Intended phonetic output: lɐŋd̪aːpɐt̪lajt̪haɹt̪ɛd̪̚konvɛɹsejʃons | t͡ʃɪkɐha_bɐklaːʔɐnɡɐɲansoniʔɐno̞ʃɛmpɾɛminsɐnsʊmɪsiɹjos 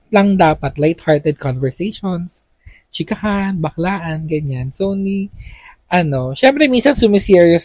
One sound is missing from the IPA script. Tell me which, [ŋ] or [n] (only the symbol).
n